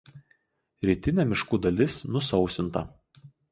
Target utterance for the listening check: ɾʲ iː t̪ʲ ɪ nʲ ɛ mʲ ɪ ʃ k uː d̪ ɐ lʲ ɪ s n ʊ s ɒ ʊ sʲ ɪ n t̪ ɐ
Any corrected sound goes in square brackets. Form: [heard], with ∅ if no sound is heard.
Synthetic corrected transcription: ɾʲ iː t̪ʲ ɪ nʲ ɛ mʲ ɪ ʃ k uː d̪ ɐ lʲ ɪ s n ʊ s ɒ ʊ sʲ ɪ n t̪ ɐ